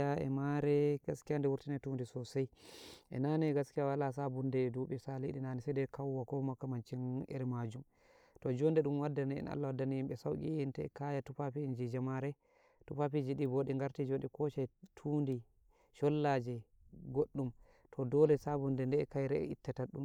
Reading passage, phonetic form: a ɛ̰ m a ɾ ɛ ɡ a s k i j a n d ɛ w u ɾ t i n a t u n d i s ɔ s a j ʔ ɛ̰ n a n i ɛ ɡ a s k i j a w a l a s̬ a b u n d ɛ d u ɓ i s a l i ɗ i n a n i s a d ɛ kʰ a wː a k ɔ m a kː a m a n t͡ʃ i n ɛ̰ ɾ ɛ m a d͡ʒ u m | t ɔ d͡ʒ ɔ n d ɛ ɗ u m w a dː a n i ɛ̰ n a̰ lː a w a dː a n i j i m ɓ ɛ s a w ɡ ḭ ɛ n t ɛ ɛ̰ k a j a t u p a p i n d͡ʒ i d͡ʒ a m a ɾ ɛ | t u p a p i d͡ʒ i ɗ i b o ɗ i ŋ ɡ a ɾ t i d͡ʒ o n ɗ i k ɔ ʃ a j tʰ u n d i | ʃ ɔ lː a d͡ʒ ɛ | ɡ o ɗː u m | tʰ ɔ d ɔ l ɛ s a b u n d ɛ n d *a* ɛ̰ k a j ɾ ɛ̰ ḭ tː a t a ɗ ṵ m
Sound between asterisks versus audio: incorrect: ɛ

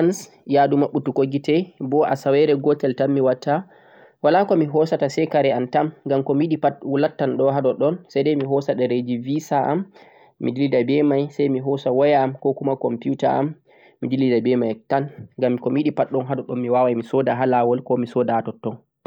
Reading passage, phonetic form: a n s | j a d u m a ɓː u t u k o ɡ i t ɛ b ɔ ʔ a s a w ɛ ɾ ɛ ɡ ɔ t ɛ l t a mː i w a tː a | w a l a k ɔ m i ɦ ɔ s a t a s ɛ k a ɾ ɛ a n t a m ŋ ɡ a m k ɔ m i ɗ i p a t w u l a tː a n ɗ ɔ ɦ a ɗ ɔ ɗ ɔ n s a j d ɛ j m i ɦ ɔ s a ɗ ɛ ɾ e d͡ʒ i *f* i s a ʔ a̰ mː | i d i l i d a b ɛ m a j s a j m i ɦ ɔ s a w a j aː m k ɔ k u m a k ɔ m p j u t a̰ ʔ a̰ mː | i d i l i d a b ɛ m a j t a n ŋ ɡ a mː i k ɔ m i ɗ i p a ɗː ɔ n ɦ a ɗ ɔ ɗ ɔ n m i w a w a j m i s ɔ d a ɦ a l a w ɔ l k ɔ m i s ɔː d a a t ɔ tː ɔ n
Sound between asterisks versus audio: incorrect: v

